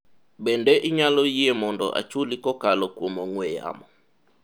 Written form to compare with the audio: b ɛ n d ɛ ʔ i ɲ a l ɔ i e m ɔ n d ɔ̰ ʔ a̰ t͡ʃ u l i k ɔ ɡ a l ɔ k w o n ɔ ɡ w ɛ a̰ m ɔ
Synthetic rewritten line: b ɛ n d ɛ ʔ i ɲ a l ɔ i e m ɔ n d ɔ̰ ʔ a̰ t͡ʃ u l i k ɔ k a l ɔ k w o m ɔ ŋ w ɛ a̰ m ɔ